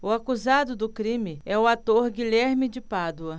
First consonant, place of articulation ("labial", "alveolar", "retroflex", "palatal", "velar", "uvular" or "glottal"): velar